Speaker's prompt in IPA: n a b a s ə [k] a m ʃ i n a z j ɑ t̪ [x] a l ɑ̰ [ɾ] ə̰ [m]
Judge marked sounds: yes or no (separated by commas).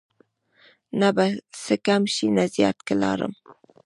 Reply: yes, no, yes, yes